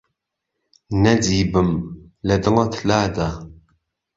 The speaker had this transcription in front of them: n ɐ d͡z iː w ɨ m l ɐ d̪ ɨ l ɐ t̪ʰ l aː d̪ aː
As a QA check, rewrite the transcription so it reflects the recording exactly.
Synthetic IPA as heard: n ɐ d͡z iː b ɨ m l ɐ d̪ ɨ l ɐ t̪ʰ l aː d̪ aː